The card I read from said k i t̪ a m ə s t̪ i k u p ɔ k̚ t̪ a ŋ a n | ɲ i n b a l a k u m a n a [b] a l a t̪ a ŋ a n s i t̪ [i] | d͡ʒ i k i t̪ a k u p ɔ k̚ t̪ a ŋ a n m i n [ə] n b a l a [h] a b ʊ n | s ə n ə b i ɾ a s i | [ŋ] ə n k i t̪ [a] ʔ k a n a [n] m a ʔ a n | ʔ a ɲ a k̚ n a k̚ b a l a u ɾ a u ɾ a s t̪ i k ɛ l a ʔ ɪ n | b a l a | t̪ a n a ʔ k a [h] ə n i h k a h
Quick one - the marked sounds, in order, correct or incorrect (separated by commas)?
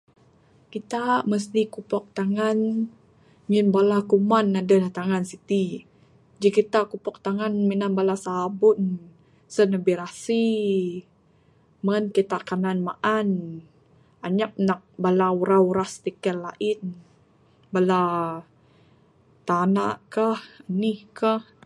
incorrect, correct, incorrect, incorrect, incorrect, correct, correct, correct